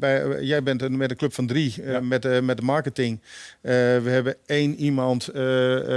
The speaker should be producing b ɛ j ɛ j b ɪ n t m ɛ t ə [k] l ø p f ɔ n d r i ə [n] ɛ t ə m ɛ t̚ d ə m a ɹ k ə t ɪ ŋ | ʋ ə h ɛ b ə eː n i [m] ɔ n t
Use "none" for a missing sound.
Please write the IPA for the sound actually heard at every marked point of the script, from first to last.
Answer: k, m, m

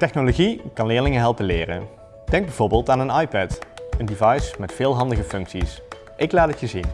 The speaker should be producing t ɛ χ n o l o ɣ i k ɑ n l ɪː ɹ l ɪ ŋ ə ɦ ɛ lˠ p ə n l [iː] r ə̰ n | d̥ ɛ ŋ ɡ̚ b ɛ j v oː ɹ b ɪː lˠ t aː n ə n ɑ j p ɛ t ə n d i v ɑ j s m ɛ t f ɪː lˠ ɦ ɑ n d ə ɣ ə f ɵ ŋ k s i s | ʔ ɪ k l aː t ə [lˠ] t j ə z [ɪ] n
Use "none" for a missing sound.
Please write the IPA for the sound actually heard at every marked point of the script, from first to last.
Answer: ɪː, none, i

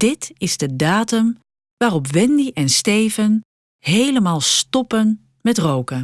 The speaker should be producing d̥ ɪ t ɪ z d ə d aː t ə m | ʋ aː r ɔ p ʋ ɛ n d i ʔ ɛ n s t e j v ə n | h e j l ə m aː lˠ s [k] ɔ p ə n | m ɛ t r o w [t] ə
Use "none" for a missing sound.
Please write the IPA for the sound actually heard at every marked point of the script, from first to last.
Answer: t, k

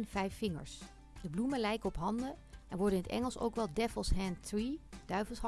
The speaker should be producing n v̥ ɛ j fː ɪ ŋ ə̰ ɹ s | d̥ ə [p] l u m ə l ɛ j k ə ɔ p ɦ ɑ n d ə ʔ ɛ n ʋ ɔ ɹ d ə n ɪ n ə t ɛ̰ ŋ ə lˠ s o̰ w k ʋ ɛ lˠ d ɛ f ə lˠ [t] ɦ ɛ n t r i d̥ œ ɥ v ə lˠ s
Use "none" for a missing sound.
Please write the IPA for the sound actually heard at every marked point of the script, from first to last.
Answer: b, s

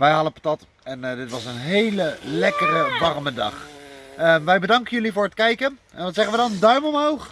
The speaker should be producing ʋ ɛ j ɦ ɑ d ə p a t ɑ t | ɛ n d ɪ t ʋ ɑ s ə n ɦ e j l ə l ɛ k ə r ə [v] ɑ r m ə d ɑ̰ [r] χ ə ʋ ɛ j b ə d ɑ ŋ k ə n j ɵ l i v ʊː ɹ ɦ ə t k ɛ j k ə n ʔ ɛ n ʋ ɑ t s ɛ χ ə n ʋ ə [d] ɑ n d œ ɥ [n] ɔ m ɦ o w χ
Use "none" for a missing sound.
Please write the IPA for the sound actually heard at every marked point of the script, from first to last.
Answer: ʋ, none, d, m

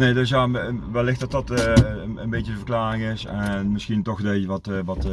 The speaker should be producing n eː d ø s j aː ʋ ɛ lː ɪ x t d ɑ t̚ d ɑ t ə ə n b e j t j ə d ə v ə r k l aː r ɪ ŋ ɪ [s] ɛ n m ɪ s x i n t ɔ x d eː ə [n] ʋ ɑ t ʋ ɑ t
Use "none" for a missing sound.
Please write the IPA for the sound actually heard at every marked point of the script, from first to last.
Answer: s, none

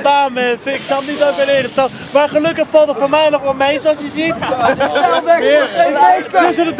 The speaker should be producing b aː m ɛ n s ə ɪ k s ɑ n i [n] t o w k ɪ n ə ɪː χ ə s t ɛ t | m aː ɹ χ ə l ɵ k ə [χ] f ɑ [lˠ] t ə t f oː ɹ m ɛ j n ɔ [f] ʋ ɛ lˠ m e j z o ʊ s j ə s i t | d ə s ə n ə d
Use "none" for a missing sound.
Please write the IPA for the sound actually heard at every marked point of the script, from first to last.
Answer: none, χ, lˠ, χ

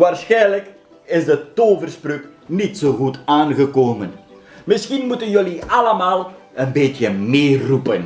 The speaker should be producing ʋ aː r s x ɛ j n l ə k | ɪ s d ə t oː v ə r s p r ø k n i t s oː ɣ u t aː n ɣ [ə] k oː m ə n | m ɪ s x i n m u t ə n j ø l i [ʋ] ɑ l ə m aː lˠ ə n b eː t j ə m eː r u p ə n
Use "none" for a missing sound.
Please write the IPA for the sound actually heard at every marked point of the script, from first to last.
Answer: ə, none

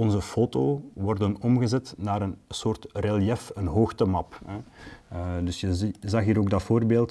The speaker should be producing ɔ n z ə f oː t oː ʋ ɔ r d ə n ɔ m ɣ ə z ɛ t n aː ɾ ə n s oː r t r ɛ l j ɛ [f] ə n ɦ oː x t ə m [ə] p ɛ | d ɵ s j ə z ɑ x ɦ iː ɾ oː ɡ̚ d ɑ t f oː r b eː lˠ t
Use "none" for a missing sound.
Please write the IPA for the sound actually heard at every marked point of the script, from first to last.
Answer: f, ɑ

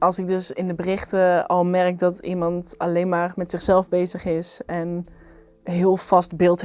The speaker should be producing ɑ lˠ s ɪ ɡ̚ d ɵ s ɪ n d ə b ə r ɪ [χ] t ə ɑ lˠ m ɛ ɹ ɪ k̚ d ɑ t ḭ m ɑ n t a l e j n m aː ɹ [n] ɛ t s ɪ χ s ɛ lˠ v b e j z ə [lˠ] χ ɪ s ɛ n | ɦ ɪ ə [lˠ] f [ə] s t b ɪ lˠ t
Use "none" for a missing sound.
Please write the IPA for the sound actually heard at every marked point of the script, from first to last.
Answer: χ, m, none, lˠ, ɑ

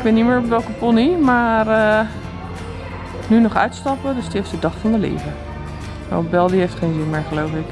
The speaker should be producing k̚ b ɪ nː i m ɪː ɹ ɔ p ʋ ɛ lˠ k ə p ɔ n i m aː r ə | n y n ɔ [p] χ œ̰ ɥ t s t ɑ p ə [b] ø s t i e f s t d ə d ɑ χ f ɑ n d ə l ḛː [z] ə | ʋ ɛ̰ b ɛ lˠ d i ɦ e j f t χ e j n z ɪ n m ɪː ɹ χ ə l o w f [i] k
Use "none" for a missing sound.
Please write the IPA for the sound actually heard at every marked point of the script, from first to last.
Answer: none, d, v, ɪ

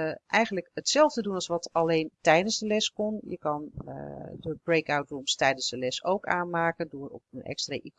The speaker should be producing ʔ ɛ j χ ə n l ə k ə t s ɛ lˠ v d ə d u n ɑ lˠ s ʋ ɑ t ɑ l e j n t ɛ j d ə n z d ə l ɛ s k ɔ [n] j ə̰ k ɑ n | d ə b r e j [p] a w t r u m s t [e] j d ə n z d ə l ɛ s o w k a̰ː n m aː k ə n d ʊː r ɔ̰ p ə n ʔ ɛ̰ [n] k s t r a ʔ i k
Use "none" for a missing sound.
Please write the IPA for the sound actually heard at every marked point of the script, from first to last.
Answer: n, k, ɛ, none

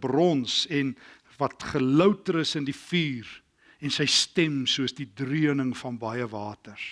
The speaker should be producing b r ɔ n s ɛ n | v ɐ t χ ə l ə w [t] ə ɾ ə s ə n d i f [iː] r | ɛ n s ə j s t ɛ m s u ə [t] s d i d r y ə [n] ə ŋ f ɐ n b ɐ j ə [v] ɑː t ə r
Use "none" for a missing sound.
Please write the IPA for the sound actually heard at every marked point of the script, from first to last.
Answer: t, iː, none, n, v

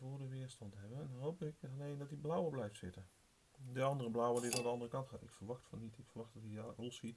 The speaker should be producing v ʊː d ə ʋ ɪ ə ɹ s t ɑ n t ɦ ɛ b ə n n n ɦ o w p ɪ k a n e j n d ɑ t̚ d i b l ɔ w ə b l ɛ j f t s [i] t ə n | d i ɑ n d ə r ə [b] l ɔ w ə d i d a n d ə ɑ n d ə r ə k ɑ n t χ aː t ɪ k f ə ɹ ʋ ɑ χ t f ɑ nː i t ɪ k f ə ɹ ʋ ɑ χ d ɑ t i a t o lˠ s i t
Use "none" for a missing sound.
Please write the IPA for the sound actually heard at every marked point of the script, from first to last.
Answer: ɪ, b

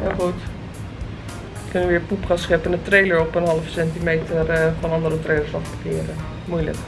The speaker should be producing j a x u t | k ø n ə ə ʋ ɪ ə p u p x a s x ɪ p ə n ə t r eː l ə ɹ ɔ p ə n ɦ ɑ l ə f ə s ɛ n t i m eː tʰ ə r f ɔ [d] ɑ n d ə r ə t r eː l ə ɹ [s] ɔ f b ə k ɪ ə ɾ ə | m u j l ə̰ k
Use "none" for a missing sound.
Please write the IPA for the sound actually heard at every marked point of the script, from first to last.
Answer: n, s

